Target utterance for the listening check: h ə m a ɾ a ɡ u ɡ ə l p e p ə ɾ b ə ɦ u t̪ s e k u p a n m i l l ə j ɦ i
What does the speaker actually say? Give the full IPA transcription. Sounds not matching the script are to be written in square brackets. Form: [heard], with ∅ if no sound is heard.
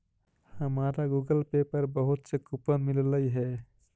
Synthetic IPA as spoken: h ə m a ɾ a ɡ u ɡ ə l p e p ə ɾ b ə ɦ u t̪ s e k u p [ə] n m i l l ə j ɦ [ɛ]